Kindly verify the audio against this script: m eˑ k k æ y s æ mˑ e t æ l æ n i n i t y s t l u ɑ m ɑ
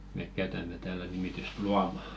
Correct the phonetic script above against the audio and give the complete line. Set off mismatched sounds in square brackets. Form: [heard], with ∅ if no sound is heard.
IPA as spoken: m eˑ k k æ y [t] æ mˑ e t [æː] l æ n i [m] i t y s t l u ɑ m ɑ